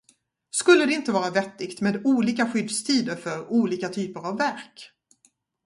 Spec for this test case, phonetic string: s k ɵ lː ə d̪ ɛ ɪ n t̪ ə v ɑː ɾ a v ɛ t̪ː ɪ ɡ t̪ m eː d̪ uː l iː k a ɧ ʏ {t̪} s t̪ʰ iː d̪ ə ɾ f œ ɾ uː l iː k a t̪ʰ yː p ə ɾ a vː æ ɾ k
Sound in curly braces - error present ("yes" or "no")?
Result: yes